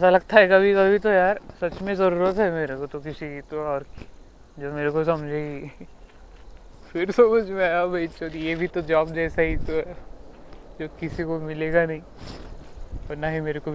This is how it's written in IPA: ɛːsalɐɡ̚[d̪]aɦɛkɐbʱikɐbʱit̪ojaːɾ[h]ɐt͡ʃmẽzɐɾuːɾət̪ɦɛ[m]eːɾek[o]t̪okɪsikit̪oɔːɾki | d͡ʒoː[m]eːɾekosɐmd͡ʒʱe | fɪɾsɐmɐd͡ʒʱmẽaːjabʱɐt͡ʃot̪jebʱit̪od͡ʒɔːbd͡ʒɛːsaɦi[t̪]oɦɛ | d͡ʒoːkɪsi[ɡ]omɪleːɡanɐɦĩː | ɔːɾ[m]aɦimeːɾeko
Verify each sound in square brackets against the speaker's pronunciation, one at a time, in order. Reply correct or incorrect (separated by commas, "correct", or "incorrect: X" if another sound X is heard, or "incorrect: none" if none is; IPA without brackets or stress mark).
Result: incorrect: t̪, incorrect: s, correct, correct, correct, correct, incorrect: k, incorrect: n